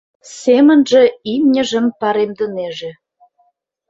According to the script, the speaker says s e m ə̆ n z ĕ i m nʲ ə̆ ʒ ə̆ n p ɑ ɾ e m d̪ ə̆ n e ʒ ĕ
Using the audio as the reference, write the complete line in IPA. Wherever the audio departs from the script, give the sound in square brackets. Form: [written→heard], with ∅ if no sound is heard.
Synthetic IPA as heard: s e m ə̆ n [z→ʒ] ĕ i m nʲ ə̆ ʒ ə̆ [n→m] p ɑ ɾ e m d̪ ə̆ n e ʒ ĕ